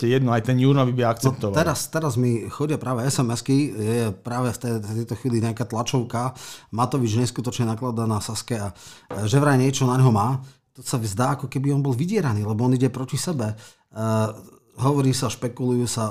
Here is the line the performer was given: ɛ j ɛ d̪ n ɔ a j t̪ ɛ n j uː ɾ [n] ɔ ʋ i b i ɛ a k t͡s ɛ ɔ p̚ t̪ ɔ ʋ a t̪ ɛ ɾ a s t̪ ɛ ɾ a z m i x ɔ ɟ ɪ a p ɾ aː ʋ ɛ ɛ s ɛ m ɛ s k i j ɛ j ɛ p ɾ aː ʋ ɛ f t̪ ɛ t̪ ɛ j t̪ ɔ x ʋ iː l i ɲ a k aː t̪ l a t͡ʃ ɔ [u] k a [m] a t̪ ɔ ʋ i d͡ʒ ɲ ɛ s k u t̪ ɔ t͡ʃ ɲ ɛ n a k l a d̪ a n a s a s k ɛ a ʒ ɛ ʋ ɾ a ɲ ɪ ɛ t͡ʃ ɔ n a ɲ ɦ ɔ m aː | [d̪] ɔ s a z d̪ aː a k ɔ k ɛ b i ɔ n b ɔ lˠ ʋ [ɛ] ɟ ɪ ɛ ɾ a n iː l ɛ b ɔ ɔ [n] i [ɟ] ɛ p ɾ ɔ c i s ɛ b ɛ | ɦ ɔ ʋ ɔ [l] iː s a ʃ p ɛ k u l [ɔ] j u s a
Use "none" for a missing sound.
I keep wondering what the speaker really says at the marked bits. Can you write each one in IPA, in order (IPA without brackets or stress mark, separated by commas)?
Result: n, ʊ, m, t̪, i, n, ɟ, ɾ, u